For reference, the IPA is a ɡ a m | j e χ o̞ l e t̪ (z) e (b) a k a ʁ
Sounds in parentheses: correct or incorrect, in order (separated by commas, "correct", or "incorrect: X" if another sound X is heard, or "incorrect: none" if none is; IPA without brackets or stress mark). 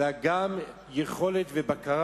incorrect: v, correct